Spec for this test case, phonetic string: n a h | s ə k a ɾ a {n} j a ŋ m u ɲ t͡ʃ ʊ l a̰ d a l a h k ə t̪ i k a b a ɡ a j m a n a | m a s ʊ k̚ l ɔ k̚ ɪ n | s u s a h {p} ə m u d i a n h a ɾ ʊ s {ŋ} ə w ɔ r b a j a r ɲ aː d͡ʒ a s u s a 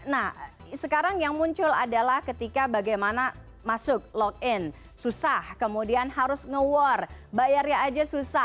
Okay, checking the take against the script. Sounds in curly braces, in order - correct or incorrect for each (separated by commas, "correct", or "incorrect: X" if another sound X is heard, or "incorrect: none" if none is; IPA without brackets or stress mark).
incorrect: ŋ, incorrect: k, correct